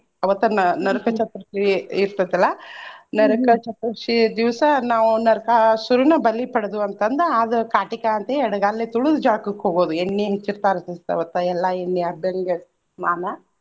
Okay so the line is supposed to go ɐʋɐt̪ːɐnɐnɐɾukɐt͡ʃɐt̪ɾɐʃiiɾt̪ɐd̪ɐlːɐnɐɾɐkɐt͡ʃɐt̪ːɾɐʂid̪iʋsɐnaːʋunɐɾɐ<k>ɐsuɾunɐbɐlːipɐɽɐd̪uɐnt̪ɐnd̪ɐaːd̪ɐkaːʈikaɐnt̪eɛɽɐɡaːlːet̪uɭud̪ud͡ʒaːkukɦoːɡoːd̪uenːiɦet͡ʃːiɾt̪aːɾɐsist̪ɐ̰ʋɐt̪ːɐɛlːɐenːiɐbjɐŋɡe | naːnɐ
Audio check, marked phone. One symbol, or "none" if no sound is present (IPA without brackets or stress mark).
k